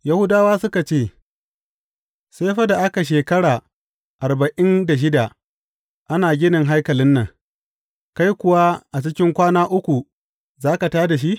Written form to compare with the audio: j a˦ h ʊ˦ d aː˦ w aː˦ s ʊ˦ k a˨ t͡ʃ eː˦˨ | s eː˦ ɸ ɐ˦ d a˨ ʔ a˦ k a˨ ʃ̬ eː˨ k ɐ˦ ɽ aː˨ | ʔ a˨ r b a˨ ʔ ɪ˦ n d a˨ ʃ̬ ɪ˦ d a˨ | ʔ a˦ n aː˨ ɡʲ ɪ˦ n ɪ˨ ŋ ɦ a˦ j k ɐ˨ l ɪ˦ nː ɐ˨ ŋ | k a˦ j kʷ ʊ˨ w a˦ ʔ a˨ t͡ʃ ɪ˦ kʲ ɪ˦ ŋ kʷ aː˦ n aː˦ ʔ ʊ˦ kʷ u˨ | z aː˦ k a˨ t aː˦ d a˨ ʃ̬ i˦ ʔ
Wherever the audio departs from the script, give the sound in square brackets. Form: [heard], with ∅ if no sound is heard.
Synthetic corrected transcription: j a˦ h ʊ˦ d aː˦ w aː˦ s ʊ˦ k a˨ t͡ʃ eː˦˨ | s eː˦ ɸ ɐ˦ d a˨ ʔ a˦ k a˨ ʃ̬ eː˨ k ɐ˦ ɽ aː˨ | ʔ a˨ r b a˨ ʔ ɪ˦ n d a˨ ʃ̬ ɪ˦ d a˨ | ʔ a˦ n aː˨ ɡʲ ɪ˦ n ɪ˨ ŋ ɦ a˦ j k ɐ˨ l ɪ˦ nː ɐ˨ ŋ | k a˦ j kʷ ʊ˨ w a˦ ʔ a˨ t͡ʃ ɪ˦ kʲ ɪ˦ ŋ kʷ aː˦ n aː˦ ʔ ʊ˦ kʷ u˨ | z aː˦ k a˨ t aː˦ d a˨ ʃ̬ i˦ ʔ